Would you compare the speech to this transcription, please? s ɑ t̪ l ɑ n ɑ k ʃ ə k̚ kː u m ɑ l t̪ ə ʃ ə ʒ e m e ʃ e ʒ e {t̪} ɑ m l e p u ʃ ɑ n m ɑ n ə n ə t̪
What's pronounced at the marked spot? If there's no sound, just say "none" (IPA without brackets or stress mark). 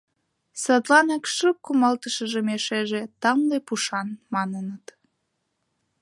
t̪